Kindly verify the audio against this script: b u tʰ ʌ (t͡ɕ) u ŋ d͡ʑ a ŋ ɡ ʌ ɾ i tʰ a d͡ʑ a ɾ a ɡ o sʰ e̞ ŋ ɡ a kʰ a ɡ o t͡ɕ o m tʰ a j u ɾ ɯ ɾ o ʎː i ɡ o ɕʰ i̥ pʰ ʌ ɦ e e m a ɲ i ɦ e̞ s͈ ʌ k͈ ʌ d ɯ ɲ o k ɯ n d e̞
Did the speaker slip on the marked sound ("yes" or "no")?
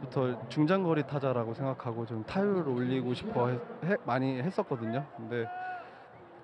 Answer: no